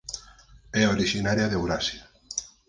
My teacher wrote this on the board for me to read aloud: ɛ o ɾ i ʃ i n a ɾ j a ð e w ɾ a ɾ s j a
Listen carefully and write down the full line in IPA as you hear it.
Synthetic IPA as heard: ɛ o ɾ i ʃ i n a ɾ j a ð e w ɾ a s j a